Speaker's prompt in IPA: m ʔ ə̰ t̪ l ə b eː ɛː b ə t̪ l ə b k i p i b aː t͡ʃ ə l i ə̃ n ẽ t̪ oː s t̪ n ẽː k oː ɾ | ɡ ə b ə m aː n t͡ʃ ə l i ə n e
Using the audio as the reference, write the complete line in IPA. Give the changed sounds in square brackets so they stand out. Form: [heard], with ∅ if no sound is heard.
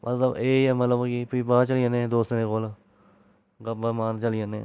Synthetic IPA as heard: m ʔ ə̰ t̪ l ə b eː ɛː [m] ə t̪ l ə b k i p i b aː t͡ʃ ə l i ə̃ n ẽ [d̪] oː s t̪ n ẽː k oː [l] | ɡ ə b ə m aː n t͡ʃ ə l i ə n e